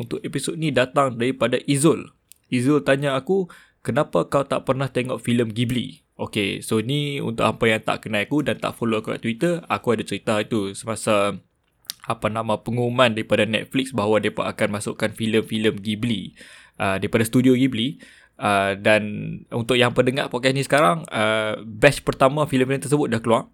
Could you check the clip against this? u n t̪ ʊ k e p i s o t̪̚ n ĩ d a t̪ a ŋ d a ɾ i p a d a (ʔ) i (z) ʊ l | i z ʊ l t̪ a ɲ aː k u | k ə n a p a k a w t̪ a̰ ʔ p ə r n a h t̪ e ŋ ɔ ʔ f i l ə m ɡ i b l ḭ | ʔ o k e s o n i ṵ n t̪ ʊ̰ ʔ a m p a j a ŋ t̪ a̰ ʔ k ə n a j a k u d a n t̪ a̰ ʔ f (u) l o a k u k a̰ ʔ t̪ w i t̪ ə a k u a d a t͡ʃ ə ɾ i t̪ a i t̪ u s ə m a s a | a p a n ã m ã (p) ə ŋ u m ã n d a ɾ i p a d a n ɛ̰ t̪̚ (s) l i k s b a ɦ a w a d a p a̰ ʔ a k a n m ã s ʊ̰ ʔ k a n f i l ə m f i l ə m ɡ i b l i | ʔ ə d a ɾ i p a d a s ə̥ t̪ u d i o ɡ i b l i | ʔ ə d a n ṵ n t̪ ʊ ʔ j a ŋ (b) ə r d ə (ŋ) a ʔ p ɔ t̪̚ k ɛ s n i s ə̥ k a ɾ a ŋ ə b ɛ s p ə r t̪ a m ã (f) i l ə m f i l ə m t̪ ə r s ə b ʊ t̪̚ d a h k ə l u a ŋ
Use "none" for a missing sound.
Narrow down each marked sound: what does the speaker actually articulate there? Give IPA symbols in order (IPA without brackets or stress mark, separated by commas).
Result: ʔ, z, o, p, f, p, ŋ, f